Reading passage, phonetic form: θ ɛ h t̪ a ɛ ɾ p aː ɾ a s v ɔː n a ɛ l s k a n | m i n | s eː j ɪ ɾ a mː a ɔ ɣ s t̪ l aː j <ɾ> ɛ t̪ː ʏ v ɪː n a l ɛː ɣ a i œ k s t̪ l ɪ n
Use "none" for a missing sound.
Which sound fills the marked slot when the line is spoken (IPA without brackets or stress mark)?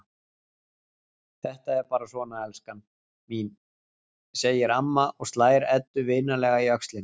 ɾ